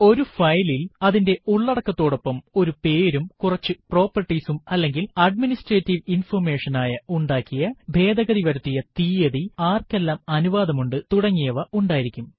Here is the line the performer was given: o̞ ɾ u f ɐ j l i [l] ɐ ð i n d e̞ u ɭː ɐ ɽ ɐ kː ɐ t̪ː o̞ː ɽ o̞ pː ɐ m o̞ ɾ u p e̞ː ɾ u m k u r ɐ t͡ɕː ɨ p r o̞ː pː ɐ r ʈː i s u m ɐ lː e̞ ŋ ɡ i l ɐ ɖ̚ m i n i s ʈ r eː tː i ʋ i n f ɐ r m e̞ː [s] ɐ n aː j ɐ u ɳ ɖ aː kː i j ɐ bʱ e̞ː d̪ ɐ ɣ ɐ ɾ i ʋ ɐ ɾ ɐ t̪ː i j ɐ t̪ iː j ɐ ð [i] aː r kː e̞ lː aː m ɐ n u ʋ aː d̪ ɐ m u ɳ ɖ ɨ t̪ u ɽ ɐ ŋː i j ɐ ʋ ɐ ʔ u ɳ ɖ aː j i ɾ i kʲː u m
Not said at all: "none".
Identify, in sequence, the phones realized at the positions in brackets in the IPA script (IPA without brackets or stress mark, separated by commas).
l, ʂ, i